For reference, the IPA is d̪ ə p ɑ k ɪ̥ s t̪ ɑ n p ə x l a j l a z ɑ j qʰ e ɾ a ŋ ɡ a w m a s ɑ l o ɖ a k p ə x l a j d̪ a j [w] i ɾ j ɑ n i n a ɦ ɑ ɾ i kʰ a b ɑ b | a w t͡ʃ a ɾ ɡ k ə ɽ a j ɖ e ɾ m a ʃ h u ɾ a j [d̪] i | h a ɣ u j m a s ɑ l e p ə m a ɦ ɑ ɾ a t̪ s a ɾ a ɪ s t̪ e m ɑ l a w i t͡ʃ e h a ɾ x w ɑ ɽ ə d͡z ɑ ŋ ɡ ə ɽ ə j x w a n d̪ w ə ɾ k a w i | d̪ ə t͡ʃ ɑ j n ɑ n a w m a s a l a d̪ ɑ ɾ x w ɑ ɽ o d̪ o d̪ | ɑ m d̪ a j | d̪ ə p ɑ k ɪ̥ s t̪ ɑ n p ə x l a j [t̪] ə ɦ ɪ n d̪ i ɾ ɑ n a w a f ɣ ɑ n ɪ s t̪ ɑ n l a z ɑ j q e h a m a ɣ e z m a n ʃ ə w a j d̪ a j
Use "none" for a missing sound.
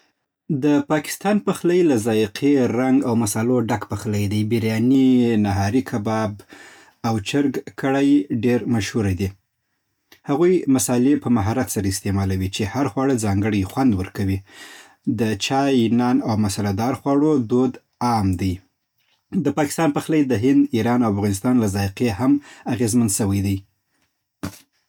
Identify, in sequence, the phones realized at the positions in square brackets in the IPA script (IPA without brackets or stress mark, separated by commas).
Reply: b, d̪, d̪